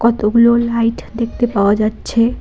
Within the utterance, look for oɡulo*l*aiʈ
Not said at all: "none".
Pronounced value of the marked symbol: l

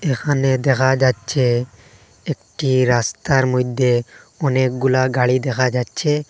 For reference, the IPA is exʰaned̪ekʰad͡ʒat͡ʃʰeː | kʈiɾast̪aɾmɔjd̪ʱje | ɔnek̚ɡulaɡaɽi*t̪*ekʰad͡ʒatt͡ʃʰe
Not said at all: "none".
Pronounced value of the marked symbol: d̪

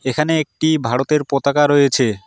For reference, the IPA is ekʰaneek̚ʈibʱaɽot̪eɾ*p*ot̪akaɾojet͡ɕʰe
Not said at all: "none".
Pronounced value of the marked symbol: p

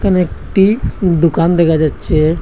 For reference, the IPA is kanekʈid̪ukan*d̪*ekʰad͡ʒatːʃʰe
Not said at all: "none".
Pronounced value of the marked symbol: d̪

